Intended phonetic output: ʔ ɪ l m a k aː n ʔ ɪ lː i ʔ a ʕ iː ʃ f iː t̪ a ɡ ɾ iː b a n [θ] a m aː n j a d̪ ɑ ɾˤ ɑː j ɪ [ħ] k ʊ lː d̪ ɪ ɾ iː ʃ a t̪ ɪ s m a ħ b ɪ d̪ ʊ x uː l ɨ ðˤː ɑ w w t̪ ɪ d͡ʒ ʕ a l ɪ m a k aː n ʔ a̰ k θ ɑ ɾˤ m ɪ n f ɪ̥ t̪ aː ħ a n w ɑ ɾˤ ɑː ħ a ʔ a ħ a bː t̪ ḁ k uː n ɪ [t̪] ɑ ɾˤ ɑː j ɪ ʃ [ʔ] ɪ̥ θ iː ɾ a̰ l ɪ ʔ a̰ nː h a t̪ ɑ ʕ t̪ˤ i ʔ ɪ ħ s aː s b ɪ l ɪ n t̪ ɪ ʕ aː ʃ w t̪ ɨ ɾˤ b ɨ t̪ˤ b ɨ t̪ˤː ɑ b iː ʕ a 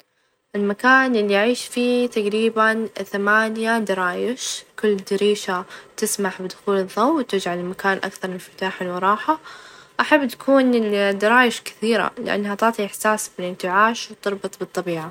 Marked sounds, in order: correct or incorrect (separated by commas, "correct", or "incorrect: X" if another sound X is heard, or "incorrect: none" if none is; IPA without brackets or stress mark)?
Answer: correct, incorrect: ʃ, incorrect: d̪, incorrect: k